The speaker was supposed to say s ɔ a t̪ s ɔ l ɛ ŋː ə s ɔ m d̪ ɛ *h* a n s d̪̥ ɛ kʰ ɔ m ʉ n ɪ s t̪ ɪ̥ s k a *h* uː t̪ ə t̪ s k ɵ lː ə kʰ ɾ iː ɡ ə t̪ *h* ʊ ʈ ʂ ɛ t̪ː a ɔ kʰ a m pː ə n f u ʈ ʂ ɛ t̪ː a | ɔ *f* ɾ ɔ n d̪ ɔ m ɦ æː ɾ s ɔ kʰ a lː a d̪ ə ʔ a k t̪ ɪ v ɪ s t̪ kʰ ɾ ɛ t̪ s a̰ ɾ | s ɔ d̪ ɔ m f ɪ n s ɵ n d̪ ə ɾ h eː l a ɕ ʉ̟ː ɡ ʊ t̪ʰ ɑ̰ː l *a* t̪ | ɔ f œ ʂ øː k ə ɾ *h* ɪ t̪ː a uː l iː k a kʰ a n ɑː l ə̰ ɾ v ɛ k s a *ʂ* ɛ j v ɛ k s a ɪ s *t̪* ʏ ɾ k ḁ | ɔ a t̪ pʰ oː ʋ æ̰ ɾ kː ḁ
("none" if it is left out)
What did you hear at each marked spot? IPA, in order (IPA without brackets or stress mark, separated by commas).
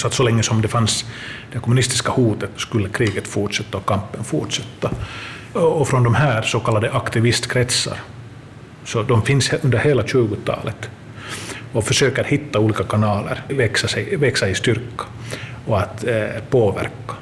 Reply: f, h, f, f, ə, h, s, t̪